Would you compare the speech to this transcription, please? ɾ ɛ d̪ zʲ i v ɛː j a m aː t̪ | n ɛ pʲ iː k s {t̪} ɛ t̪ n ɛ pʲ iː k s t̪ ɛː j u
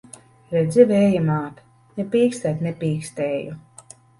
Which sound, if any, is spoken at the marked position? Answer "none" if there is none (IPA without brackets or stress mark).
t̪